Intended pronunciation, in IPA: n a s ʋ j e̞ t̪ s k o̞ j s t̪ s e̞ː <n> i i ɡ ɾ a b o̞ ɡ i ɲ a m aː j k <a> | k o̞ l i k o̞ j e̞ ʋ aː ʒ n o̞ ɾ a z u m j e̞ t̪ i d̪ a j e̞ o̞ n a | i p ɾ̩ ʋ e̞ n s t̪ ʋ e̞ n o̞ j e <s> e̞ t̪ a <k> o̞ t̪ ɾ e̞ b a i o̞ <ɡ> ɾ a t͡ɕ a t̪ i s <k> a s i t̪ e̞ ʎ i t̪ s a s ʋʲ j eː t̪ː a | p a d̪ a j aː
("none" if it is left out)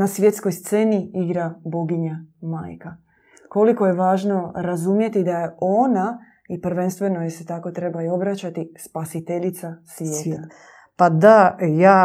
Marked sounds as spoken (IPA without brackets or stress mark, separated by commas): n, a, s, k, b, p